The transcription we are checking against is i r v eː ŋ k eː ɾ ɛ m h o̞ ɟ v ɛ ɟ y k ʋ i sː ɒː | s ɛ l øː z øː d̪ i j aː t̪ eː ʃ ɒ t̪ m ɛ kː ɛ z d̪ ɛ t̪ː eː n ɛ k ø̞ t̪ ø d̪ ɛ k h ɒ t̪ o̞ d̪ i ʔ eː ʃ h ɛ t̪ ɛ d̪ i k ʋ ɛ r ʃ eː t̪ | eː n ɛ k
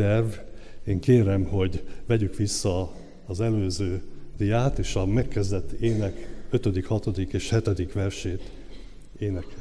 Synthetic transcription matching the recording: ɛ r v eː ŋ k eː ɾ ɛ m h o̞ ɟ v ɛ ɟ y k ʋ i sː ɒː | z ɛ l øː z øː d̪ i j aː t̪ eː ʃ ɒ m ɛ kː ɛ z d̪ ɛ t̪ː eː n ɛ k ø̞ t̪ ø d̪ i k h ɒ t̪ o̞ d̪ i k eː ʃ h ɛ t̪ ɛ d̪ i k ʋ ɛ r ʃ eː t̪ | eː n ɛ k